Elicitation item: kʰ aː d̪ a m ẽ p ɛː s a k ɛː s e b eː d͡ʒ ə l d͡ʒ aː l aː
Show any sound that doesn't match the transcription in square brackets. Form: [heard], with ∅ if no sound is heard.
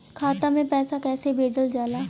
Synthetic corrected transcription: kʰ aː [t̪] a m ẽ p ɛː s a k ɛː s e b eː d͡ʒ ə l d͡ʒ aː l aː